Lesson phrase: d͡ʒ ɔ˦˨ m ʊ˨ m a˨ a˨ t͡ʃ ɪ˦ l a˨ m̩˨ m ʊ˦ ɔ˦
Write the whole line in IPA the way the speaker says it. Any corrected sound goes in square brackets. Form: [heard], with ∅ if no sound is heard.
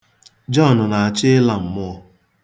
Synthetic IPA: d͡ʒ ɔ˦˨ [n] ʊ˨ [n] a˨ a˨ t͡ʃ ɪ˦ l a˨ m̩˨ m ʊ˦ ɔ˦

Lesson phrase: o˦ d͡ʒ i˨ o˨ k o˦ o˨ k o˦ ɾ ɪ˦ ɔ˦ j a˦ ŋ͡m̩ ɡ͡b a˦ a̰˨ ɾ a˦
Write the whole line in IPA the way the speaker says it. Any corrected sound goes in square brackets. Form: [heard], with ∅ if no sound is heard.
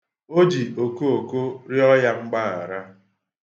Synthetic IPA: o˦ d͡ʒ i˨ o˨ k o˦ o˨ k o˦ ɾ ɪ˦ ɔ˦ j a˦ ŋ͡m̩ ɡ͡b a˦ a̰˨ ɾ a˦

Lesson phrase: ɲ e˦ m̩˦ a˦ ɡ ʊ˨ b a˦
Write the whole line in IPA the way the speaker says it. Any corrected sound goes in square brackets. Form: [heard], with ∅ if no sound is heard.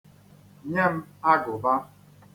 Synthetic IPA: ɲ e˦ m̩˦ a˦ ɡ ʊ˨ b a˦

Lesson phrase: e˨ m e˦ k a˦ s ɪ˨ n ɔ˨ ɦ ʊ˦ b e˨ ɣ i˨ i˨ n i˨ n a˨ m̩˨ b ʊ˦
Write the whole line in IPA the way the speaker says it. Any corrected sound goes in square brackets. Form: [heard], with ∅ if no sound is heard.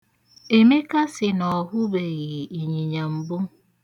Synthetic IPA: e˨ m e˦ k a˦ s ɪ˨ n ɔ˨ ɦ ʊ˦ b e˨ ɣ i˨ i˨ [ɲ] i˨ [ɲ] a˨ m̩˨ b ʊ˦

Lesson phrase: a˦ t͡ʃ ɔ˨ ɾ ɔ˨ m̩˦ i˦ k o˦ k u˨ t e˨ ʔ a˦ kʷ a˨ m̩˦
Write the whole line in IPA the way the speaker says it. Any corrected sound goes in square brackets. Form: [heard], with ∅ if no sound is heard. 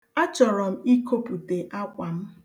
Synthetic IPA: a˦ t͡ʃ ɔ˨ ɾ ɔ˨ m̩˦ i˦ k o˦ [p] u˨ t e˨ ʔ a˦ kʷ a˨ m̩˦

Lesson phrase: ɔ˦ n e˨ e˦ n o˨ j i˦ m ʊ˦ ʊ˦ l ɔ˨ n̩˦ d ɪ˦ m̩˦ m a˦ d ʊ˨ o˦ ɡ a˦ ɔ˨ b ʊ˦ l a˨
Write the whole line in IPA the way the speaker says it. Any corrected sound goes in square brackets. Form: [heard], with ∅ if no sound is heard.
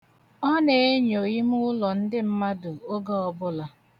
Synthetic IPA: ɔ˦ n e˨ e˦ [ɲ] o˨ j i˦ m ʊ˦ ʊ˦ l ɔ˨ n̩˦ d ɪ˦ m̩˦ m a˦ d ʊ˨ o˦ ɡ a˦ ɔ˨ b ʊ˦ l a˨

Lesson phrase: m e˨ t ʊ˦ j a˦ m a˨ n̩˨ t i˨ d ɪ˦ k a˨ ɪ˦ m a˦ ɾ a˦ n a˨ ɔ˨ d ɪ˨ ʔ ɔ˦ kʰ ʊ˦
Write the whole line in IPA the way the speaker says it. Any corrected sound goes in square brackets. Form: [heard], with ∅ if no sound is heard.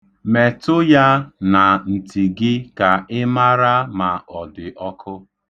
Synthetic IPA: m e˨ t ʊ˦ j a˦ [n] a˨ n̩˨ t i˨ [ɡ] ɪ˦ k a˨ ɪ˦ m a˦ ɾ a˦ [m] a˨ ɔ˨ d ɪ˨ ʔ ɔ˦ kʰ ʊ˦

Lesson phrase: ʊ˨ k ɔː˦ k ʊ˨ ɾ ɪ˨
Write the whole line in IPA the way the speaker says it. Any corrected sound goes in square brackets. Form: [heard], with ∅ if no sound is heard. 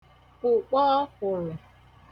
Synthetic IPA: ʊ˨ [k͡p] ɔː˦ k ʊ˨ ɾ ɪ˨

